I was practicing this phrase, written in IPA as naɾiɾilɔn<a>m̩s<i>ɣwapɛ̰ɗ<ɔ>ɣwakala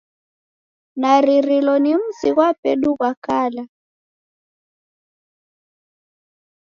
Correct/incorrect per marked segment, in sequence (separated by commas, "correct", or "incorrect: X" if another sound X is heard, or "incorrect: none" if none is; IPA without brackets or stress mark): incorrect: i, correct, incorrect: u